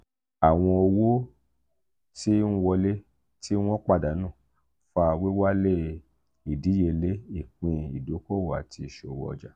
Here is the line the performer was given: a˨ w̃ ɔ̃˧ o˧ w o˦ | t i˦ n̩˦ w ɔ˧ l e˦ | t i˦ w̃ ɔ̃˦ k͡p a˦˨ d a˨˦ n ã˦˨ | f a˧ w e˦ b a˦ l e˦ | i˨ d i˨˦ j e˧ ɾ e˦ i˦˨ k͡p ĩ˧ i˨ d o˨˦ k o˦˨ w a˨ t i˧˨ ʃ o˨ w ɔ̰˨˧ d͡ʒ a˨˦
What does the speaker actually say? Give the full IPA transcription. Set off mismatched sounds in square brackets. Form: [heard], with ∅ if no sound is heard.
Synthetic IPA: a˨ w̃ ɔ̃˧ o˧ w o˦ | t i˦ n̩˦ w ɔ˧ l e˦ | t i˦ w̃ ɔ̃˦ k͡p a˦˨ d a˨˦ n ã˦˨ | f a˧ w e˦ [w] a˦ l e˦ | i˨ d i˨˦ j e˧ [l] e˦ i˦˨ k͡p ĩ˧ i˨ d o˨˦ k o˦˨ w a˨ t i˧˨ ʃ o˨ w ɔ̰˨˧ d͡ʒ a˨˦